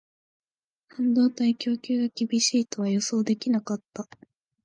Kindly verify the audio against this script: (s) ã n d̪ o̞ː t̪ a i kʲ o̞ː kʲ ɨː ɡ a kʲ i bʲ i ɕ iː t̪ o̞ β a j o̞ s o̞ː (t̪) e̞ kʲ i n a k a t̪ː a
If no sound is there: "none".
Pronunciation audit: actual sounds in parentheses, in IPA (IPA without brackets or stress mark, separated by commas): h, d̪